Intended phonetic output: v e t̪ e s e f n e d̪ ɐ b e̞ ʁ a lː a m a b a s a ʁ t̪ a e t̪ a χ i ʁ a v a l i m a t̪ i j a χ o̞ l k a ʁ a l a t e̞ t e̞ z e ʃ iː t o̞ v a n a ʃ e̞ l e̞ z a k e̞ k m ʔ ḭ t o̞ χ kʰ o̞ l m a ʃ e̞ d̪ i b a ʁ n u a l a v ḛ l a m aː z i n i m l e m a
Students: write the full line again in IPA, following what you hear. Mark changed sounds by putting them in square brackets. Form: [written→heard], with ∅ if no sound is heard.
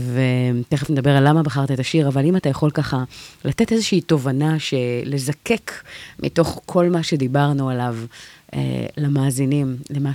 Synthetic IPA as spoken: v e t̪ e [s→χ] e f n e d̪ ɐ b e̞ ʁ a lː a m a b a [s→χ] a ʁ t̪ a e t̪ a [χ→ʃ] i ʁ a v a l i m a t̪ [i→a] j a χ o̞ l k a [ʁ→χ] a l a t e̞ t e̞ z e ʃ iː t o̞ v a n a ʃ e̞ l e̞ z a k e̞ k m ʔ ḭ t o̞ χ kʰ o̞ l m a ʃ e̞ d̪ i b a ʁ n u a l a v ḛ l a m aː z i n i m l e m a